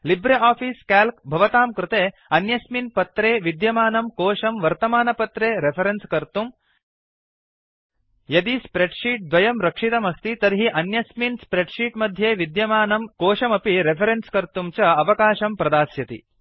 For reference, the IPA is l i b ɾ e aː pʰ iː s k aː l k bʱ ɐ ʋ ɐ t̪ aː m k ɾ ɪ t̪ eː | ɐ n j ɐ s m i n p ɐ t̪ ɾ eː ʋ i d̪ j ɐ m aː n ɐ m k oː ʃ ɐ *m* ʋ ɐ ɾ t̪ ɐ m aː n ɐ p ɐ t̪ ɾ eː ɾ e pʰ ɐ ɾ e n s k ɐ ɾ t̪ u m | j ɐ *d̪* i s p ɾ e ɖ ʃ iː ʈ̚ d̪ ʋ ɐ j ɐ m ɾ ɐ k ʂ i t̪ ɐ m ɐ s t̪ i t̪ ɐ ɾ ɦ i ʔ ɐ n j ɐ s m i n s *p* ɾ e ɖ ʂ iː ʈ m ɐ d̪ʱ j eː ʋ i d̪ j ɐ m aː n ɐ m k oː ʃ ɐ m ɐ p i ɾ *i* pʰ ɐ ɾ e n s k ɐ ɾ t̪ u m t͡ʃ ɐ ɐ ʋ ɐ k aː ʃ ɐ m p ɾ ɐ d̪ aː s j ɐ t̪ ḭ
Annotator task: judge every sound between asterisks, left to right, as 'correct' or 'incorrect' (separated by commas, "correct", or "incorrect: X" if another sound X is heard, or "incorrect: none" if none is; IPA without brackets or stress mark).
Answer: correct, correct, correct, incorrect: e